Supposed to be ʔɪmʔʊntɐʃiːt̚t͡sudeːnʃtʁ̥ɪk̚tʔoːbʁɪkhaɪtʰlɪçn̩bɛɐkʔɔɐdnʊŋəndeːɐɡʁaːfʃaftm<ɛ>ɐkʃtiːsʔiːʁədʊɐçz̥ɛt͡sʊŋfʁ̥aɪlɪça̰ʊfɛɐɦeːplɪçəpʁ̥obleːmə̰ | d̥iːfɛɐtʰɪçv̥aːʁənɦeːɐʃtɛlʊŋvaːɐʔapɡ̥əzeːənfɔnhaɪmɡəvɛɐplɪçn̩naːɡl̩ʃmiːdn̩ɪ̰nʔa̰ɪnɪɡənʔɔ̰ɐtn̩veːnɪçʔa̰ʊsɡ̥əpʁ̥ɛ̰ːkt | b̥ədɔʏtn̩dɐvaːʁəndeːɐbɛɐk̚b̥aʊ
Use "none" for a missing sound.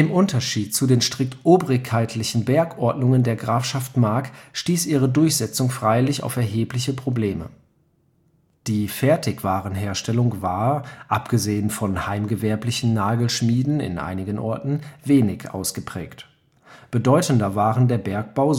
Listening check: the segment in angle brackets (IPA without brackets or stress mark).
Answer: a